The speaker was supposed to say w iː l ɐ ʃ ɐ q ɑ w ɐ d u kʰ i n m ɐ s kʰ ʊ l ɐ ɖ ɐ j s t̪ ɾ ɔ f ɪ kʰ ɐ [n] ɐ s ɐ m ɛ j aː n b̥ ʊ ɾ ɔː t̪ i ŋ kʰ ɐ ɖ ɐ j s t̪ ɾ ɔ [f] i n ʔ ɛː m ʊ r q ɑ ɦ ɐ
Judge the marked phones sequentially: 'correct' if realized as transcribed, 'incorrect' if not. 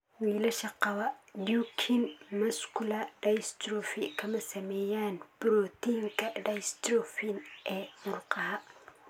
incorrect: m, correct

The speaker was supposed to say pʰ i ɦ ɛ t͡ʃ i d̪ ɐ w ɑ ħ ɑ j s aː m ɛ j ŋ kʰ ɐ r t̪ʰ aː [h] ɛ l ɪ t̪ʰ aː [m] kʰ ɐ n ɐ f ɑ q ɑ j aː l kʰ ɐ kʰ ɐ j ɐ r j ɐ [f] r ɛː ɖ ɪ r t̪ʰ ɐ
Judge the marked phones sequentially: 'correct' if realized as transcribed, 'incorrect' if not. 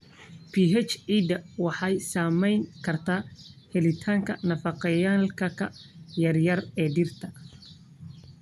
correct, incorrect: ŋ, incorrect: none

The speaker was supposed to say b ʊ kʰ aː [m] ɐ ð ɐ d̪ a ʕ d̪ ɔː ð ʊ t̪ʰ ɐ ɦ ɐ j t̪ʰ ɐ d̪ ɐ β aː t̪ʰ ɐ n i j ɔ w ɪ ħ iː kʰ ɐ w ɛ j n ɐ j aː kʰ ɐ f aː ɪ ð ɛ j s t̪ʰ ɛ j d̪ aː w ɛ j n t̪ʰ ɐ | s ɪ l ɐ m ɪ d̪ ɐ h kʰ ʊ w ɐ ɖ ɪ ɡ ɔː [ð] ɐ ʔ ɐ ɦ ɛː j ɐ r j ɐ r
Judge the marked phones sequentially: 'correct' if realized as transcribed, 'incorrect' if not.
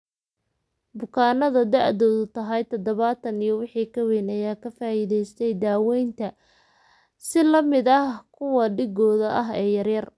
incorrect: n, correct

